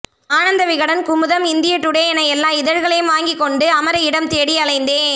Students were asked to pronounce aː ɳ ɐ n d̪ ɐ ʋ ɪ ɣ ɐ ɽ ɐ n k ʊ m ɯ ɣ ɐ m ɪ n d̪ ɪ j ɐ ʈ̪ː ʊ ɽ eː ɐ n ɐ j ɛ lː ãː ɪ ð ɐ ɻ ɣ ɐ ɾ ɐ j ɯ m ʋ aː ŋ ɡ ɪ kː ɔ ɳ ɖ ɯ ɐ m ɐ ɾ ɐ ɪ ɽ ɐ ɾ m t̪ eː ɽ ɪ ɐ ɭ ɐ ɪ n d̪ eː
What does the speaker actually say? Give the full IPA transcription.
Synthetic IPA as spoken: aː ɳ ɐ n d̪ ɐ ʋ ɪ ɣ ɐ ɽ ɐ n k ʊ m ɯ ð ɐ m ɪ n d̪ ɪ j ɐ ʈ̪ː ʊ ɽ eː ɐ n ɐ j ɛ lː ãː ɪ ð ɐ ɻ ɣ ɐ ɭ ɐ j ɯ m ʋ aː ŋ ɡ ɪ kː ɔ ɳ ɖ ɯ ɐ m ɐ ɾ ɐ ɪ ɽ ɐ m t̪ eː ɽ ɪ ɐ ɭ ɐ ɪ n d̪ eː